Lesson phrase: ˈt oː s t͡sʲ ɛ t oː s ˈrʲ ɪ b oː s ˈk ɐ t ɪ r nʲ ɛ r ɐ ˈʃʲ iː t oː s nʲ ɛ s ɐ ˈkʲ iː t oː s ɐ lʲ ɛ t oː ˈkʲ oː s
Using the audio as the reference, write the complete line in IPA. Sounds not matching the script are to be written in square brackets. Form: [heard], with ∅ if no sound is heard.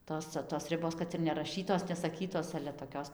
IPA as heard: ˈt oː s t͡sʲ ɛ t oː s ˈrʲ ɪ b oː s ˈk ɐ t ɪ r nʲ ɛ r ɐ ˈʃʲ iː t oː s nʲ ɛ s ɐ ˈkʲ iː t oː s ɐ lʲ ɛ t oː ˈkʲ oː s